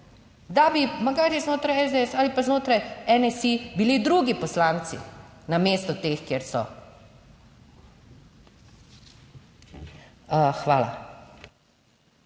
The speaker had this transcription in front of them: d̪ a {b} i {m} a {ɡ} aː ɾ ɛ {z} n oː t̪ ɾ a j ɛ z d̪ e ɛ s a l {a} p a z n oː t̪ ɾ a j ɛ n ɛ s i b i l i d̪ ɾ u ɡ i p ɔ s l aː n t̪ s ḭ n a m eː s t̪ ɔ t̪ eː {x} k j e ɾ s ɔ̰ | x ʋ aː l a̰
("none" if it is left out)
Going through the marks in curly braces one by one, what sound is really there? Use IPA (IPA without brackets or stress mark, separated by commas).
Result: b, m, ɡ, z, i, x